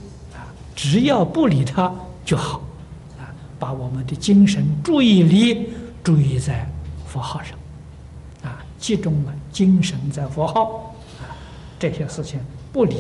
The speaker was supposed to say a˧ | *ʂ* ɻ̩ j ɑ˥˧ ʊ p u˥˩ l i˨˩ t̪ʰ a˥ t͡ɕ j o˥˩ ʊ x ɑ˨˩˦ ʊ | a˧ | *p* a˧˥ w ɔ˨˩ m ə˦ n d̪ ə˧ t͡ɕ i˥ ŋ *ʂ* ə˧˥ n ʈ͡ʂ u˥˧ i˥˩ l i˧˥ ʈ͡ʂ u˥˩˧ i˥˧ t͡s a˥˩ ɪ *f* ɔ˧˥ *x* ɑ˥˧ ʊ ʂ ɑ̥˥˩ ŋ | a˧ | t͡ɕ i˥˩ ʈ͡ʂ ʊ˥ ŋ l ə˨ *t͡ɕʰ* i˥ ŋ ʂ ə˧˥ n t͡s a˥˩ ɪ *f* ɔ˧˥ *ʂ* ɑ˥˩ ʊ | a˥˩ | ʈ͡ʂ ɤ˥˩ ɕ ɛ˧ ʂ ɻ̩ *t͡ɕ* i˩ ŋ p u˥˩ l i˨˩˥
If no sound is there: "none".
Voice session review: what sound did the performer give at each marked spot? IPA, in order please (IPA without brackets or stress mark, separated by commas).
ʈ͡ʂ, p, ʂ, f, x, t͡ɕ, f, x, t͡ɕʰ